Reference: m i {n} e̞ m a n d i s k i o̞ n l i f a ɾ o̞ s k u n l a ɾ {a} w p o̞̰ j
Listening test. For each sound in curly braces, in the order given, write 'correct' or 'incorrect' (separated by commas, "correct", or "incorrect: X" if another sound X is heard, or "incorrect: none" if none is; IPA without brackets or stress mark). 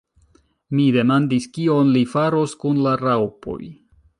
incorrect: d, correct